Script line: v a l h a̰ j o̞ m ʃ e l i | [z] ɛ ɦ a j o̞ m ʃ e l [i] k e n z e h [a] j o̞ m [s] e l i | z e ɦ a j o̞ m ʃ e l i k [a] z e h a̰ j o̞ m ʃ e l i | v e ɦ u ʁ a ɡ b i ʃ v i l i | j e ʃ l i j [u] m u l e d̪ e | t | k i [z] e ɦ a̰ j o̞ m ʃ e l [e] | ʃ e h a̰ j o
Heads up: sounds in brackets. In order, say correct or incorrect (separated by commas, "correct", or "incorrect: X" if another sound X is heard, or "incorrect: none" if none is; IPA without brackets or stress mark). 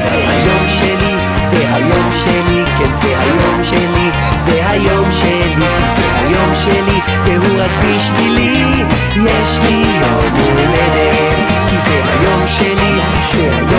correct, correct, correct, incorrect: ʃ, incorrect: i, incorrect: o, correct, incorrect: i